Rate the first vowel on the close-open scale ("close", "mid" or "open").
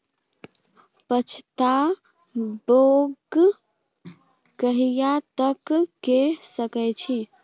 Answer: mid